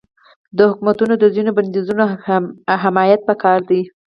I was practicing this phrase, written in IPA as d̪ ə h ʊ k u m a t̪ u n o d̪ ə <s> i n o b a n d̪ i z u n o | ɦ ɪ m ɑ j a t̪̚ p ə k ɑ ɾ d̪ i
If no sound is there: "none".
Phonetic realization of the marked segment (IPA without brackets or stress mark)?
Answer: z